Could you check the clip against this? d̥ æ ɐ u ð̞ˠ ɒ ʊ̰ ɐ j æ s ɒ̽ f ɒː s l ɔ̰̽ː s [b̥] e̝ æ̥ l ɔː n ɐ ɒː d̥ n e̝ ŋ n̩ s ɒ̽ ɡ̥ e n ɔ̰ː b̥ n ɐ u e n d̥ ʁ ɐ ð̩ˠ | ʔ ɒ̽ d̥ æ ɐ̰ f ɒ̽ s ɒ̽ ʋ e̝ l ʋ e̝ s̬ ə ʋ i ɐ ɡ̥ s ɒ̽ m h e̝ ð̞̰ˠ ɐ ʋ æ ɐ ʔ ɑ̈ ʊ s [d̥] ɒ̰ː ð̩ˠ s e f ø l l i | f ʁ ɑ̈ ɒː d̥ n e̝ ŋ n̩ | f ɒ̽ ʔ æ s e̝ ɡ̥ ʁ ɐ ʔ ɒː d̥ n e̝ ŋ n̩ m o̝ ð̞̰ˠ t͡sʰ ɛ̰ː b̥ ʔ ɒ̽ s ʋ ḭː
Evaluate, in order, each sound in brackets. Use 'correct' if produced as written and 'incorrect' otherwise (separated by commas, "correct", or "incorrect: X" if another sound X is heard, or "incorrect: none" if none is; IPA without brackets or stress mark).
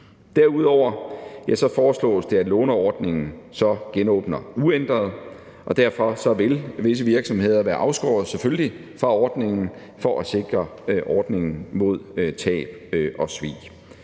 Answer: incorrect: d̥, incorrect: ɡ̥